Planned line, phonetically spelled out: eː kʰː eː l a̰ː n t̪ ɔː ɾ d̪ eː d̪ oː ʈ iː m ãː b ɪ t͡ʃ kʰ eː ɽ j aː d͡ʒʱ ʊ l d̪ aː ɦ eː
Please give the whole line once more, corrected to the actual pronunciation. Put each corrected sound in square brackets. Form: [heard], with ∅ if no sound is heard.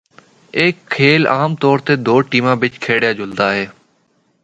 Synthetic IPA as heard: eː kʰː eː l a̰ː [m] t̪ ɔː ɾ [t̪] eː d̪ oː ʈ iː m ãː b ɪ t͡ʃ kʰ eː ɽ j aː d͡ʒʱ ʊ l d̪ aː ɦ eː